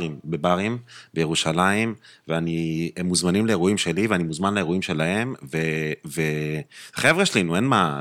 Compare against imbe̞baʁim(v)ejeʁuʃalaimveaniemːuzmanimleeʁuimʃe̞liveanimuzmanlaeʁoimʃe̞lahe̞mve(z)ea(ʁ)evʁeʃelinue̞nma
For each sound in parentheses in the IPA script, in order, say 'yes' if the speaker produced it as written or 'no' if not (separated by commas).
no, no, no